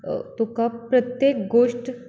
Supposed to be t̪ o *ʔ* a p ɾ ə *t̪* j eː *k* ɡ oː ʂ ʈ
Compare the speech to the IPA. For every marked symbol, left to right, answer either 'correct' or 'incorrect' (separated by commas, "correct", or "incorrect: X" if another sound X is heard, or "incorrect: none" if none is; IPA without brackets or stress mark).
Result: incorrect: k, correct, correct